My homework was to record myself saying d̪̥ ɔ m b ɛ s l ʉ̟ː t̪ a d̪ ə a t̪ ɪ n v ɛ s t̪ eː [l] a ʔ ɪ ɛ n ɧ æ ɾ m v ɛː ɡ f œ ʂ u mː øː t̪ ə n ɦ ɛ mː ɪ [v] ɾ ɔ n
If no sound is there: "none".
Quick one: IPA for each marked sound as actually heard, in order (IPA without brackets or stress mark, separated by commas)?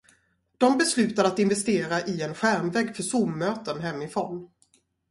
ɾ, f